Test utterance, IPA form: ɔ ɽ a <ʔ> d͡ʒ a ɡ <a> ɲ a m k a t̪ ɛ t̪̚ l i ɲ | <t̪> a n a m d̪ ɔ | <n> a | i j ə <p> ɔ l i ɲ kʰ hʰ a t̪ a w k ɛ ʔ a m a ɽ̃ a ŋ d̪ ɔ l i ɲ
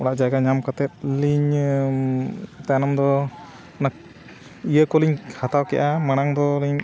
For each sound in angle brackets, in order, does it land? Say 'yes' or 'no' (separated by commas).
yes, yes, yes, yes, no